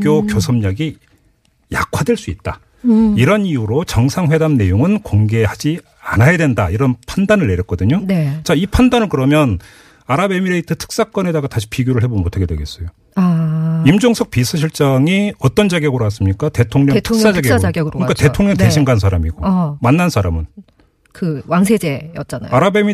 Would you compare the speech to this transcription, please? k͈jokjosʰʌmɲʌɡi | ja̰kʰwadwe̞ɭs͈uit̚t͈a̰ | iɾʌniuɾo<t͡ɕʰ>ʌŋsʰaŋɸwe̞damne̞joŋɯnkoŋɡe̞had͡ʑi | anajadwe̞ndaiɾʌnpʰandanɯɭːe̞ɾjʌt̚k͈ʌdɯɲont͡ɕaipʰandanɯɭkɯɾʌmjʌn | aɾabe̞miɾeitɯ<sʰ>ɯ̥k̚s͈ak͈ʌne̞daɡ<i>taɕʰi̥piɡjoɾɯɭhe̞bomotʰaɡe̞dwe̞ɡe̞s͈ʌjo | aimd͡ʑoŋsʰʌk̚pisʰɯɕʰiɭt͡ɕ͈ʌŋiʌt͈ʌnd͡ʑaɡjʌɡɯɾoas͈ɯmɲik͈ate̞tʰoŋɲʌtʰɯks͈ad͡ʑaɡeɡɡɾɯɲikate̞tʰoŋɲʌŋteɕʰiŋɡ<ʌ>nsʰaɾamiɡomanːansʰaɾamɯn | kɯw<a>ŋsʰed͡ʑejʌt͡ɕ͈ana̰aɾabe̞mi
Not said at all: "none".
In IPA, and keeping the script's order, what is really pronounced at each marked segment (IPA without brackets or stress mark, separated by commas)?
t͡ɕ, tʰ, a, a, a